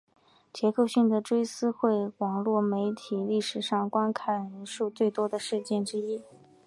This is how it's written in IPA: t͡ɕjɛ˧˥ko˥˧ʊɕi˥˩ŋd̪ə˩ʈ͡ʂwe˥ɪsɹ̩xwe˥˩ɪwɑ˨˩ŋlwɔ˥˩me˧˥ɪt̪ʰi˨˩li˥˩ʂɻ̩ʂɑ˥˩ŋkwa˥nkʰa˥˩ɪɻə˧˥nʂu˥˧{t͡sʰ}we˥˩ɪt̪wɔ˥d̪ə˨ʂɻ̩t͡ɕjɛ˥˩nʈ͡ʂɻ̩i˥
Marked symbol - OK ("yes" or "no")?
no